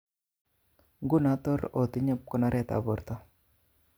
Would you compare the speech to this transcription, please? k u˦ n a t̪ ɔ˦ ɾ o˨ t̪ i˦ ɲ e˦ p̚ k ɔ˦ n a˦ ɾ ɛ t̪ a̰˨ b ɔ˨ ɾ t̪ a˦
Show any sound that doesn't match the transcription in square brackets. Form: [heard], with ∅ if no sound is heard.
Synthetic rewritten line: [ɡ] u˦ n a t̪ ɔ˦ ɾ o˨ t̪ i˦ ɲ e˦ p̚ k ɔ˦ n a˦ ɾ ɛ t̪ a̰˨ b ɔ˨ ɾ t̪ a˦